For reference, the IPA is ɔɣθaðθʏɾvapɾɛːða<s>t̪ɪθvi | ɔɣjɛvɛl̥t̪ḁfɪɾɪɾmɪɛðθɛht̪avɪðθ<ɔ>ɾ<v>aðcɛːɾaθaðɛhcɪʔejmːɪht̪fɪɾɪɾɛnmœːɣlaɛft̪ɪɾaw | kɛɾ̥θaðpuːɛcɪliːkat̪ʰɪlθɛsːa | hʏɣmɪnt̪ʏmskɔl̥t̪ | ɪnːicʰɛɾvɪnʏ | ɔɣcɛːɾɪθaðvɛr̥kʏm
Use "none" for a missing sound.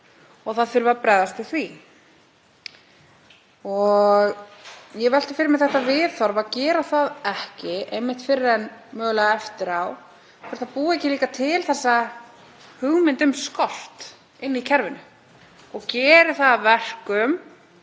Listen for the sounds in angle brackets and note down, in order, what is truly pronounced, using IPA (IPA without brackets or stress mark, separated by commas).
s, ɔ, v